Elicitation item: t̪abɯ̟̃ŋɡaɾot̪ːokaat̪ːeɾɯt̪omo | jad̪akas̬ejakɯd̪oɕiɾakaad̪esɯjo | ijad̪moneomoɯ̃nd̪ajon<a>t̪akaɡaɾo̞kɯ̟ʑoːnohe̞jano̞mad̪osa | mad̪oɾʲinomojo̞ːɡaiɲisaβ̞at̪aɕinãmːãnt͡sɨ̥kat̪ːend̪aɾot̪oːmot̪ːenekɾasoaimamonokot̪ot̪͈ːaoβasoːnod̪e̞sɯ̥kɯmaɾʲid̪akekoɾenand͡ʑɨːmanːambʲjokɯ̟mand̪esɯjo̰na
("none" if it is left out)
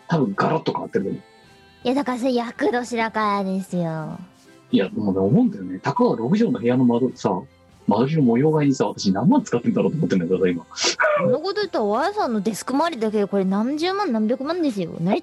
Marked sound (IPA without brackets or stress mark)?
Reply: e